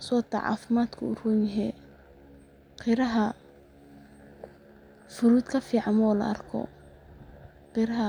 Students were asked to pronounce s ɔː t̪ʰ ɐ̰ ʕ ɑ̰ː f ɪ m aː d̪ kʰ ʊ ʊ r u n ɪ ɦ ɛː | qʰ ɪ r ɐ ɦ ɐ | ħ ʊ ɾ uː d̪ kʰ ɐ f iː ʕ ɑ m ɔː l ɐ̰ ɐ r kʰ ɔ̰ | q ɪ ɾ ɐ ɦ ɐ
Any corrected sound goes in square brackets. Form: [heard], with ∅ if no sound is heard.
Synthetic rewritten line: s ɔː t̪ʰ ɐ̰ ʕ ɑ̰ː f ɪ m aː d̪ kʰ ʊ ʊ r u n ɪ ɦ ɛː | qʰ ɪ [ɾ] ɐ ɦ ɐ | [f] ʊ ɾ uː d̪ kʰ ɐ f iː ʕ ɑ m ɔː l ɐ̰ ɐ r kʰ ɔ̰ | q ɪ ɾ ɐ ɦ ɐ

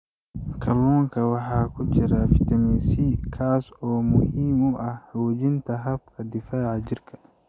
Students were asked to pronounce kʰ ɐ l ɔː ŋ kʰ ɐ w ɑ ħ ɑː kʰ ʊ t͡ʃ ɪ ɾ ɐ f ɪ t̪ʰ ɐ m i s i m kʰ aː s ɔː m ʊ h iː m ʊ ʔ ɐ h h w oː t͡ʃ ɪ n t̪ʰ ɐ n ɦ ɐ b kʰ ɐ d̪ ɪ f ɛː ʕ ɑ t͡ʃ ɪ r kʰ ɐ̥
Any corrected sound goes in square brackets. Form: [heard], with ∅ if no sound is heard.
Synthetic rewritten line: kʰ ɐ l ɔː ŋ kʰ ɐ w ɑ ħ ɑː kʰ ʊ t͡ʃ ɪ ɾ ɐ f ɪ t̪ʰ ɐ m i s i [∅] kʰ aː s ɔː m ʊ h iː m ʊ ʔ ɐ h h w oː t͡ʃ ɪ n t̪ʰ ɐ [∅] ɦ ɐ b kʰ ɐ d̪ ɪ f [aː] ʕ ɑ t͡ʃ ɪ r kʰ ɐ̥

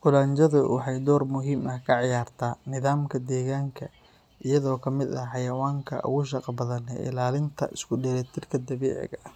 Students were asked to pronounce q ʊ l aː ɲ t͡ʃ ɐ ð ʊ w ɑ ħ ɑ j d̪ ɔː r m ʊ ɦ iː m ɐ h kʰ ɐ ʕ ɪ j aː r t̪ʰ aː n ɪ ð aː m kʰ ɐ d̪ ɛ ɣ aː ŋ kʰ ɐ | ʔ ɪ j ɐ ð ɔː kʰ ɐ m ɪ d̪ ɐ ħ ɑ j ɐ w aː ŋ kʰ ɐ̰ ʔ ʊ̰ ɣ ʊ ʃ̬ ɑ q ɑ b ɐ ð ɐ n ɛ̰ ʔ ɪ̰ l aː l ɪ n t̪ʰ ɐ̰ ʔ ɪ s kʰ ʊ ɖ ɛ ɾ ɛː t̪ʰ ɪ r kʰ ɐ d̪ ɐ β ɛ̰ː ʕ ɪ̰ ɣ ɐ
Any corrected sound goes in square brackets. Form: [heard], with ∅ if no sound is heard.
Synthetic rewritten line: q ʊ l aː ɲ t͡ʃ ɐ ð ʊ w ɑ ħ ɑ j d̪ ɔː r m ʊ ɦ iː m ɐ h kʰ ɐ ʕ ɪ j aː r t̪ʰ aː n ɪ ð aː m kʰ ɐ d̪ [ɛː] ɣ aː ŋ kʰ ɐ | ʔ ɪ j ɐ ð ɔː kʰ ɐ m ɪ d̪ ɐ ħ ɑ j ɐ w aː ŋ kʰ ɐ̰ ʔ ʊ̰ ɣ ʊ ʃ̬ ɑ q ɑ b ɐ ð ɐ n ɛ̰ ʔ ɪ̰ l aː l ɪ n t̪ʰ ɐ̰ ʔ ɪ s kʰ ʊ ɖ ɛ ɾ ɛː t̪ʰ ɪ r kʰ ɐ d̪ ɐ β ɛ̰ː ʕ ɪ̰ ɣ ɐ

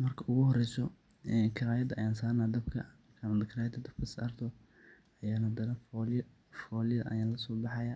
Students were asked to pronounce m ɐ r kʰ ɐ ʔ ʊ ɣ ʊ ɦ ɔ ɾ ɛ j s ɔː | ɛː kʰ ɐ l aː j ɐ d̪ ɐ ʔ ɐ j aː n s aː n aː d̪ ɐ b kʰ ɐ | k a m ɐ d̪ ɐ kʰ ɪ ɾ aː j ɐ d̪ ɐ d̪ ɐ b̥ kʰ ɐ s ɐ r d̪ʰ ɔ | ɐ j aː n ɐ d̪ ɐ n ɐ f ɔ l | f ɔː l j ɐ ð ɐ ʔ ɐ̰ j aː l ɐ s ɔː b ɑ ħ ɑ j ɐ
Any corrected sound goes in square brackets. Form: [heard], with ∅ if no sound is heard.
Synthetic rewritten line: m ɐ r kʰ ɐ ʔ ʊ ɣ ʊ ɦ ɔ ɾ ɛ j s [ɔ] | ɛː kʰ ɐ [ɾ] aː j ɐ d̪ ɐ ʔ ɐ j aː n s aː n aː d̪ ɐ b kʰ ɐ | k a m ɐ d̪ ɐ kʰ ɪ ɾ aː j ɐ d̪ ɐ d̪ ɐ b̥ kʰ ɐ s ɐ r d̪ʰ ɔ | ɐ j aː n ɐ d̪ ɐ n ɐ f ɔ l | f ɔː l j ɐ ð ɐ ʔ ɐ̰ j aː l ɐ s ɔː b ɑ ħ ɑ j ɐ

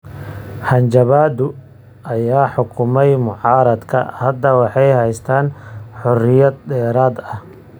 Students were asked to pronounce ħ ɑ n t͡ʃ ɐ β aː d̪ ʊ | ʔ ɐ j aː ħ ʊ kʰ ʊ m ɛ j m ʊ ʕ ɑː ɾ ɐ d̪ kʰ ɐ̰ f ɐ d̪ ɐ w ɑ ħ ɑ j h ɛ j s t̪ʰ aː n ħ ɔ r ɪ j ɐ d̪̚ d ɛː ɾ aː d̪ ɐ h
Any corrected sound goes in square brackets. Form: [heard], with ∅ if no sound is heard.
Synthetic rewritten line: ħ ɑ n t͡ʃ ɐ β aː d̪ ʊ | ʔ ɐ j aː ħ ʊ kʰ ʊ m ɛ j m ʊ ʕ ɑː ɾ ɐ d̪ kʰ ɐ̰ [h] ɐ d̪ ɐ w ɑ ħ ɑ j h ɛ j s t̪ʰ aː n ħ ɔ r ɪ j ɐ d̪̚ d ɛː ɾ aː d̪ ɐ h

